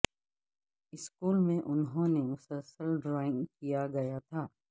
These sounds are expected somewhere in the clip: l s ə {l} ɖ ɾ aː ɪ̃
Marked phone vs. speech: correct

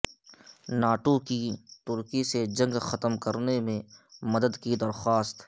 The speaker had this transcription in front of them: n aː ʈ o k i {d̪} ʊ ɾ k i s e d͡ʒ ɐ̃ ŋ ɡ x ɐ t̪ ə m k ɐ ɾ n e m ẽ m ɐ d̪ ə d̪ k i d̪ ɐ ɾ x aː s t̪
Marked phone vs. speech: incorrect: t̪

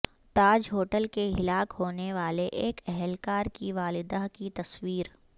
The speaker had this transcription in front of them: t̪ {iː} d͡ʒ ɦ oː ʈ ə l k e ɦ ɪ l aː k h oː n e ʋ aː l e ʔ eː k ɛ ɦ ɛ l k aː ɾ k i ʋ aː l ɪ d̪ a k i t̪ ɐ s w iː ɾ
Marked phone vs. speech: incorrect: aː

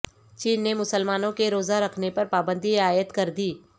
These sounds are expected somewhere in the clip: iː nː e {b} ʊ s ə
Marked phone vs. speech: incorrect: m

